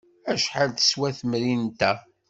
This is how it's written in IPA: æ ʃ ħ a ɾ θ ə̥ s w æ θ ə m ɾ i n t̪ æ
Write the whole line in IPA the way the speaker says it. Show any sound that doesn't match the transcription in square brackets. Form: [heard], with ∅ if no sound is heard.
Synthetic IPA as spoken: æ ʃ ħ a [l] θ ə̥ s w æ θ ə m ɾ i n t̪ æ

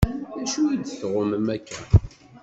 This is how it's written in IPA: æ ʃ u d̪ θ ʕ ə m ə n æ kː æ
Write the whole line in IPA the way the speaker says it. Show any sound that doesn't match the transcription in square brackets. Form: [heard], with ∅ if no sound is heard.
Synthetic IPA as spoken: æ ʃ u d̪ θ [ʁ] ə m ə [m] æ kː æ

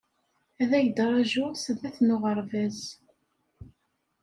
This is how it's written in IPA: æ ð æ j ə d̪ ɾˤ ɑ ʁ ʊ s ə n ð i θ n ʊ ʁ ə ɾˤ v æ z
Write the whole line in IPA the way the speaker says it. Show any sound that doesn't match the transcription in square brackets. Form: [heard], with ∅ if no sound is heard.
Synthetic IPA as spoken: æ ð æ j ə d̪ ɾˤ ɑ [ʒ] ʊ s ə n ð [æ] θ n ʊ ʁ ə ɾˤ v æ z

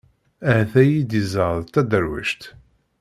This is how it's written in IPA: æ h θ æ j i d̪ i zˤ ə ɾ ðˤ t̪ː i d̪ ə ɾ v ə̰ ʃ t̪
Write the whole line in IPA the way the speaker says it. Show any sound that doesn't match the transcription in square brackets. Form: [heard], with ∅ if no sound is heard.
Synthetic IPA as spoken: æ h θ æ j i d̪ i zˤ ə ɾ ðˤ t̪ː [æ] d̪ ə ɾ [w] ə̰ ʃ t̪

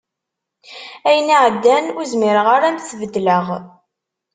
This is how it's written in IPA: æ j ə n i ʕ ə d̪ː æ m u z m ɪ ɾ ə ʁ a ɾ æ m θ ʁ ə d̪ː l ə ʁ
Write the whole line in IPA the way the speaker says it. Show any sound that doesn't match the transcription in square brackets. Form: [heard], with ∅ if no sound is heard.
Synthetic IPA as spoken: æ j ə n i ʕ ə d̪ː æ [n] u z m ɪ ɾ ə ʁ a ɾ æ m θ [v] ə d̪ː l ə ʁ

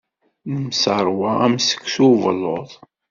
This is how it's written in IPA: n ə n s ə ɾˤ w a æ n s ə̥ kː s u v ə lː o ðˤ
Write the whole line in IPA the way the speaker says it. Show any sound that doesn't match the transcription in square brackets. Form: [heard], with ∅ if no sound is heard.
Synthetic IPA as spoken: n ə [m] s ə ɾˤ w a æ [m] s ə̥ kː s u v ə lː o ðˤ

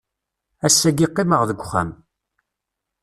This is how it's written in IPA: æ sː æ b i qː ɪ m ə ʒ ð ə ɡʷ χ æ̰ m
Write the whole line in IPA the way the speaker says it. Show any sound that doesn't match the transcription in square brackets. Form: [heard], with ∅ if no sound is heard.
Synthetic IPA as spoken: æ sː æ [ɡ] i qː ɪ m ə [ʁ] ð ə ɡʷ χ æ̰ m

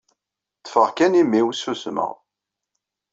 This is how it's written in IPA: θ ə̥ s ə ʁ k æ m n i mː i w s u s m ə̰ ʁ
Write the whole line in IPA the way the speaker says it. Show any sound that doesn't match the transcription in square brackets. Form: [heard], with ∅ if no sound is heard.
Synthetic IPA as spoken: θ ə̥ [f] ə ʁ k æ [∅] n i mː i w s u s m ə̰ ʁ

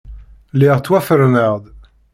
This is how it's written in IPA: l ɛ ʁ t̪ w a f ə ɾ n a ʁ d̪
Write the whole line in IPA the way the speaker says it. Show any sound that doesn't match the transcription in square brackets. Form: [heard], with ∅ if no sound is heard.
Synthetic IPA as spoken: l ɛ ʁ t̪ w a f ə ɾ n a ʁ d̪

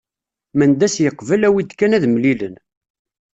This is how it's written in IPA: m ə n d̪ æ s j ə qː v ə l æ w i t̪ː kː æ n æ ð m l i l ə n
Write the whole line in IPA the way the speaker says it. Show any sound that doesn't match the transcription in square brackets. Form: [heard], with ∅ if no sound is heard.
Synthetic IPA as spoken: m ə n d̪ æ s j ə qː v ə l æ w i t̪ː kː æ n æ ð m l i l ə n

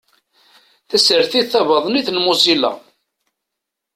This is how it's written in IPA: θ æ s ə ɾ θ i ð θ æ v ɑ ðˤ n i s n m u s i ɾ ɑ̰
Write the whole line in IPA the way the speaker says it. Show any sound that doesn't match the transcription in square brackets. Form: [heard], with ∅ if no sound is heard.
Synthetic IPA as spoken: θ æ s ə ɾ θ i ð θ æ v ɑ ðˤ n i [θ] n m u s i [l] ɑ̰

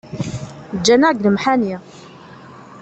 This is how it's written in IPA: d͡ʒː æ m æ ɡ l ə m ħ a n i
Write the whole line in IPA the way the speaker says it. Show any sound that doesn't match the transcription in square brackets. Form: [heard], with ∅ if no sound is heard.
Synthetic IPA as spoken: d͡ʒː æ [n] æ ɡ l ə m ħ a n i

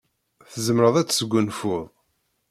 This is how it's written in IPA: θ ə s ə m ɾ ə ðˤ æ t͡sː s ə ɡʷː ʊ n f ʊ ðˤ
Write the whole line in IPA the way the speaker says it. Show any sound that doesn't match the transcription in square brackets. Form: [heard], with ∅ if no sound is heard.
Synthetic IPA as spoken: θ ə [z] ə m ɾ ə ðˤ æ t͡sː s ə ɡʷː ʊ n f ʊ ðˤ

